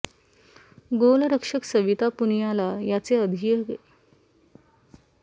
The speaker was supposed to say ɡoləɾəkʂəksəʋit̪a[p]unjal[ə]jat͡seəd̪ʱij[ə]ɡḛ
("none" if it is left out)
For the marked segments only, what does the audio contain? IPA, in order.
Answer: p, a, ə

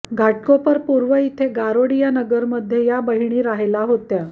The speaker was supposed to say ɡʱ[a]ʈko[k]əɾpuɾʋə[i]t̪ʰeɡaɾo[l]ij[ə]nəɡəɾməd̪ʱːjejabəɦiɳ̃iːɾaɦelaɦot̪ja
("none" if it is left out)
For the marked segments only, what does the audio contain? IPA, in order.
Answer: a, p, i, ɽ, a

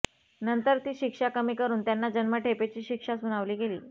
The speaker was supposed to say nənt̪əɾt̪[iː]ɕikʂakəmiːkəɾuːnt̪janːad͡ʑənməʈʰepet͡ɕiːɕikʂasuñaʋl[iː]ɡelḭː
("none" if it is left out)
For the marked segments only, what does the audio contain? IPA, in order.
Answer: iː, iː

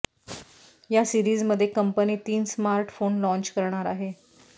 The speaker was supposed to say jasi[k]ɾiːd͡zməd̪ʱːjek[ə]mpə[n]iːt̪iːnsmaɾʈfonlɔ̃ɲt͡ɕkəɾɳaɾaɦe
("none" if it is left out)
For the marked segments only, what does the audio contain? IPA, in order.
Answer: none, ə, n

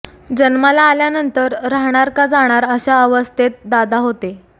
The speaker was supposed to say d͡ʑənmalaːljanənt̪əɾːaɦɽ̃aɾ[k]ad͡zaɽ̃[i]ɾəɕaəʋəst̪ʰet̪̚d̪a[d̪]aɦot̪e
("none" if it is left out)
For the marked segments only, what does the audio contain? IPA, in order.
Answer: k, a, d̪

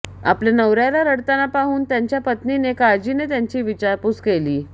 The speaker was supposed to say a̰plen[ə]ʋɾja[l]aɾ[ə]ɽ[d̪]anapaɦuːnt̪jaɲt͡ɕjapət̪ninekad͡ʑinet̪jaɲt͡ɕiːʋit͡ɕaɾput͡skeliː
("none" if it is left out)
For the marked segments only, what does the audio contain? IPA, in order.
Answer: ə, l, ə, t̪

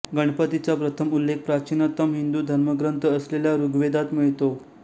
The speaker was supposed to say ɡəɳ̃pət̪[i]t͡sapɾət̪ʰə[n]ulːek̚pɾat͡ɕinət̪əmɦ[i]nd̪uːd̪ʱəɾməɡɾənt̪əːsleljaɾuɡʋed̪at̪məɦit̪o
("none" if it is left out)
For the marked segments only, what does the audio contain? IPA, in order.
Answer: i, m, i

